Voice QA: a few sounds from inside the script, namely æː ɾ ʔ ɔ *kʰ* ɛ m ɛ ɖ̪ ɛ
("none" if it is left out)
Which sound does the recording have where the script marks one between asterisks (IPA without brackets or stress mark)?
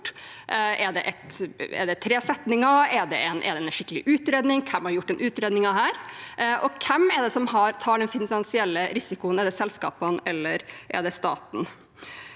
kʰ